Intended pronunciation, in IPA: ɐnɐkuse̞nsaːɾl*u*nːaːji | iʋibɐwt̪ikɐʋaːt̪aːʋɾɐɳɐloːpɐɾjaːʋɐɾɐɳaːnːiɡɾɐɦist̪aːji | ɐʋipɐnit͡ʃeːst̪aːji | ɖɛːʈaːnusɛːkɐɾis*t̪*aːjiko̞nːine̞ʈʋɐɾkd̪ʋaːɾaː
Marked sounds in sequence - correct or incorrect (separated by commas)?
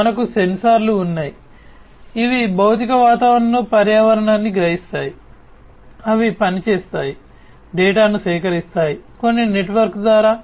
incorrect, correct